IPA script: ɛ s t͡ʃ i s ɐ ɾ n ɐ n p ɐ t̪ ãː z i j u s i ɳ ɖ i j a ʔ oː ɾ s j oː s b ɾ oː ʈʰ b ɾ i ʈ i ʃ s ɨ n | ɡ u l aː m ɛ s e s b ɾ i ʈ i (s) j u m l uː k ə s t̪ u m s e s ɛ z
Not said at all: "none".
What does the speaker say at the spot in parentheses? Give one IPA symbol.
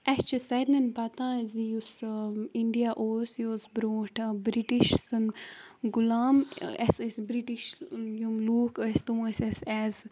ʃ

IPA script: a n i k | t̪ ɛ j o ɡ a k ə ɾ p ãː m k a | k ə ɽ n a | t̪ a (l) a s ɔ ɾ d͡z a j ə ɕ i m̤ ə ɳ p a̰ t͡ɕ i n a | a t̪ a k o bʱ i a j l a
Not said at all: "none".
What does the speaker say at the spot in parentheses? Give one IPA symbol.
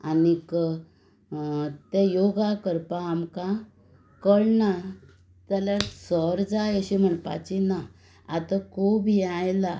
l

